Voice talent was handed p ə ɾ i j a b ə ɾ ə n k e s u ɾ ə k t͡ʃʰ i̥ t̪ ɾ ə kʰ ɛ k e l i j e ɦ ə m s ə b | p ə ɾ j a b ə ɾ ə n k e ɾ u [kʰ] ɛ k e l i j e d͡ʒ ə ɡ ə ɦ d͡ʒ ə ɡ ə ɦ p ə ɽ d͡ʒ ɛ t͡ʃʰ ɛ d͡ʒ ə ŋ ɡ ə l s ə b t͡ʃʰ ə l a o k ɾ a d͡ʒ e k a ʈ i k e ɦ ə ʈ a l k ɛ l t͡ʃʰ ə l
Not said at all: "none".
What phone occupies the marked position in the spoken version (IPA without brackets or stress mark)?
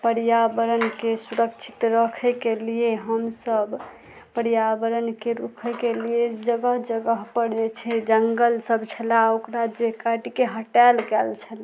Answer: kʰ